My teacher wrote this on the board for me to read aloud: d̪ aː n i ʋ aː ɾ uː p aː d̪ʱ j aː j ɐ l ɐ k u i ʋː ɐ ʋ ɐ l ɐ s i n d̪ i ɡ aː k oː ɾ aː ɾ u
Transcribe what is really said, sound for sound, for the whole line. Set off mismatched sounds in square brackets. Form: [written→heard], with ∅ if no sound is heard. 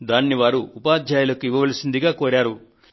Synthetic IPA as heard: d̪ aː [n→nː] i ʋ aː ɾ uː p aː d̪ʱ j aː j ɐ l ɐ k u i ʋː ɐ ʋ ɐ l ɐ s i n d̪ i ɡ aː k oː ɾ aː ɾ u